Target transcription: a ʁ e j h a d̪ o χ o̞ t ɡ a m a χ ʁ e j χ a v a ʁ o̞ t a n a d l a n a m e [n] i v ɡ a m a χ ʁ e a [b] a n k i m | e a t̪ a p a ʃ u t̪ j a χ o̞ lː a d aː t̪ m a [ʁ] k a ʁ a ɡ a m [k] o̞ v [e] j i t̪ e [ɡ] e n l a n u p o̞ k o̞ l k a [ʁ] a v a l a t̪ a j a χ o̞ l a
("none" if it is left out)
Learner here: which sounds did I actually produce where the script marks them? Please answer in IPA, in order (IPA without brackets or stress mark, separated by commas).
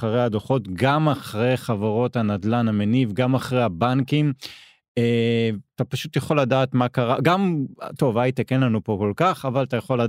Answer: n, b, none, t, a, k, χ